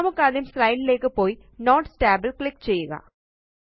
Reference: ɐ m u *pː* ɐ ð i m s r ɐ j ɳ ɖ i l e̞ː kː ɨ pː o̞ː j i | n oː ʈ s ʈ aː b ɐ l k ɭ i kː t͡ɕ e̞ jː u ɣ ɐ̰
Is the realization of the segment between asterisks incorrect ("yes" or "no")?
yes